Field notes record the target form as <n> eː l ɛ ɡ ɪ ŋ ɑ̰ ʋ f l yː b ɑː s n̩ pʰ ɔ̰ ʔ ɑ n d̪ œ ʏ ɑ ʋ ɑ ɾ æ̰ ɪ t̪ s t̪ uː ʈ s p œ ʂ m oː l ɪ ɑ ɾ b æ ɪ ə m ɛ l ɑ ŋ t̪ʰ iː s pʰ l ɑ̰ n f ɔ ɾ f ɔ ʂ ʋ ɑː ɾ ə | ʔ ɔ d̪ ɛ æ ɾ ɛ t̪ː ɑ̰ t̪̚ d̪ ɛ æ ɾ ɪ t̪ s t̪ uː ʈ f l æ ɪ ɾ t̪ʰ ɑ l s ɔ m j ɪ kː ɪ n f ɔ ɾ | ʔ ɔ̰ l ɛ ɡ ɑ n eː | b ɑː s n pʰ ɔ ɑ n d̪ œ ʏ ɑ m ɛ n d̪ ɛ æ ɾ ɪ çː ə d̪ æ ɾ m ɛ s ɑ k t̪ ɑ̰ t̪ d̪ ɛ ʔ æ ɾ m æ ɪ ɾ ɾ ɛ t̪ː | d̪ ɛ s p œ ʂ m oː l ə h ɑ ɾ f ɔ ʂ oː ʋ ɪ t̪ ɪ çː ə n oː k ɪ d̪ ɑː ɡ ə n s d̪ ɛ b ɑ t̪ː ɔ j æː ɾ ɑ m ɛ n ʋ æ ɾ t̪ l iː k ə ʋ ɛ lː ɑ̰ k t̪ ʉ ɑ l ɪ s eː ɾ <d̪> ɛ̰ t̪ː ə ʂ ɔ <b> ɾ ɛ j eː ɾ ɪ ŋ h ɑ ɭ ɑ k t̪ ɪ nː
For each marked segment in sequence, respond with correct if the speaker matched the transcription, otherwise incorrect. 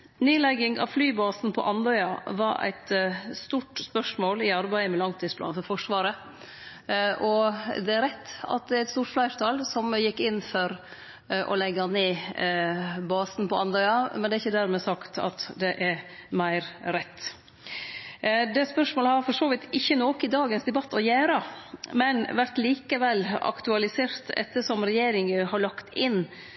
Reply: correct, incorrect, incorrect

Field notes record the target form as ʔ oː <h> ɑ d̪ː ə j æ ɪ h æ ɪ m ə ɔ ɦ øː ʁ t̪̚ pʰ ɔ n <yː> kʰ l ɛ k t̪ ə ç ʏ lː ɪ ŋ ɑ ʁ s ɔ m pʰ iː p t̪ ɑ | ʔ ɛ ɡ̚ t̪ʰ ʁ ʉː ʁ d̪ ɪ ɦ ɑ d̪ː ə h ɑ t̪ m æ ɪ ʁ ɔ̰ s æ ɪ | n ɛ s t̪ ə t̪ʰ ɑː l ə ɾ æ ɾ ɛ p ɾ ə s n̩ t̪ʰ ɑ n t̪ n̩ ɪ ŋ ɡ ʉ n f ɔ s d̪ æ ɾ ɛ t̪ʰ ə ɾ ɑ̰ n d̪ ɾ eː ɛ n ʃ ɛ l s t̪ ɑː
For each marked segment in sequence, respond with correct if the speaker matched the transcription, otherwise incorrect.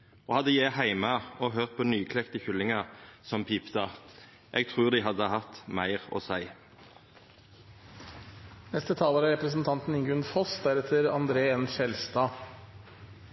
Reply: correct, correct

